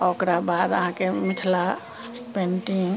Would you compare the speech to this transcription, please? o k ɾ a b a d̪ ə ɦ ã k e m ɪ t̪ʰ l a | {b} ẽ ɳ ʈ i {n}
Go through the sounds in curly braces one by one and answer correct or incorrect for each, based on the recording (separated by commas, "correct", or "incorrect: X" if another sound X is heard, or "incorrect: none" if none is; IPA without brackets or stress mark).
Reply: incorrect: p, incorrect: ŋ